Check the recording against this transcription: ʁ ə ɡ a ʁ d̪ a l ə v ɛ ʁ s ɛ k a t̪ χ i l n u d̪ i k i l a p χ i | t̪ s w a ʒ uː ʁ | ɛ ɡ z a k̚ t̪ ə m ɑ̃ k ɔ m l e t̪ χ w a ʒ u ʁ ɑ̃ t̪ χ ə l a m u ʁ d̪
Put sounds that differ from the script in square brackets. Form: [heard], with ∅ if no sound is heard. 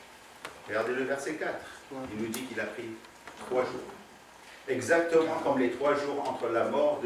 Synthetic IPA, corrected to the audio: ʁ ə ɡ a ʁ d̪ [e] l ə v ɛ ʁ s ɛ k a t̪ χ i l n u d̪ i k i l a p χ i | t̪ [χ] w a ʒ uː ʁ | ɛ ɡ z a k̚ t̪ ə m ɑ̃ k ɔ m l e t̪ χ w a ʒ u ʁ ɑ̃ t̪ χ ə l a m [ɔ] ʁ d̪